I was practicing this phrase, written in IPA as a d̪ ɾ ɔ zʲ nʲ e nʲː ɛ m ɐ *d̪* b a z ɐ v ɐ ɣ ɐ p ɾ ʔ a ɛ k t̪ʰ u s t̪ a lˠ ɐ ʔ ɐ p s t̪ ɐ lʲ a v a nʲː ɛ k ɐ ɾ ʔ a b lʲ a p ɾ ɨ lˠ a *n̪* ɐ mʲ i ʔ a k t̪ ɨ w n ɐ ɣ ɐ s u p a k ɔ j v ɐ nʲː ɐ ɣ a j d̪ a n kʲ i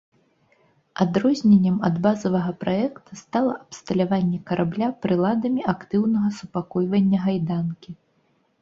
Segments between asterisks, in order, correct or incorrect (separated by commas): correct, incorrect